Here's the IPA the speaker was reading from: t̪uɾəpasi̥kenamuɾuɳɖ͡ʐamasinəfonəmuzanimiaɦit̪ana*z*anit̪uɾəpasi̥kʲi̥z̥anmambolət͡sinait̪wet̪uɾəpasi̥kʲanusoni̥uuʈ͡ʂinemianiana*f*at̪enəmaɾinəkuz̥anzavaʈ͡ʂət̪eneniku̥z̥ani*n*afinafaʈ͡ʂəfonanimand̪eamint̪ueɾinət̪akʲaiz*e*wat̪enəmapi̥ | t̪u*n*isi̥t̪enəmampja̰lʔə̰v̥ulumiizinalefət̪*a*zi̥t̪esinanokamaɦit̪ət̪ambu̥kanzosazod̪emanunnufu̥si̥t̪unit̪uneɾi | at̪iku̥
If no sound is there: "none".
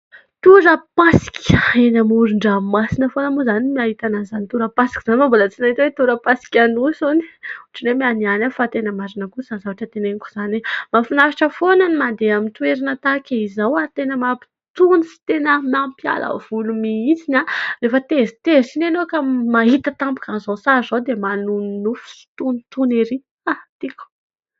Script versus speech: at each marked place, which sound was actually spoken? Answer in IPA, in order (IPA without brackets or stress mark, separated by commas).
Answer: z, f, m, a, n, e